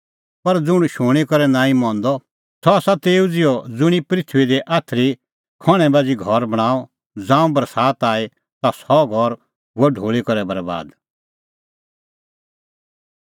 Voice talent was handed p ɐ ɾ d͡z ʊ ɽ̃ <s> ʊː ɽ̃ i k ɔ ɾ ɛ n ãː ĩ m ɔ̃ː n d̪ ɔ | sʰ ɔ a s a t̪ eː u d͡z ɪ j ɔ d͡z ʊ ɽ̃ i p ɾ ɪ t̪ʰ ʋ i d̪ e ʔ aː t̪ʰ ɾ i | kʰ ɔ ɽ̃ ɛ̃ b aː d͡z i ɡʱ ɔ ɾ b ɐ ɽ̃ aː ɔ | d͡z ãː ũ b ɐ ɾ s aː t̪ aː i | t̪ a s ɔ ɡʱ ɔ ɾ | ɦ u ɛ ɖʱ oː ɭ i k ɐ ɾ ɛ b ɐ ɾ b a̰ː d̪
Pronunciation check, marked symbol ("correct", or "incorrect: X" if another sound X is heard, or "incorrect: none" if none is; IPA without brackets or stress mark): incorrect: ʃ